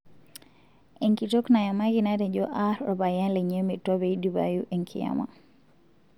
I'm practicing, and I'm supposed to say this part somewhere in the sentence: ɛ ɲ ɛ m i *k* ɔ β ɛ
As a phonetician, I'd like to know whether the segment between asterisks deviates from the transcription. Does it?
yes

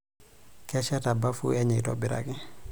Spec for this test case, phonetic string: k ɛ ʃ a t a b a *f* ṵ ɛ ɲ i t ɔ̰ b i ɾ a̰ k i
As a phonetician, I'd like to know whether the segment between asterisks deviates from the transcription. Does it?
no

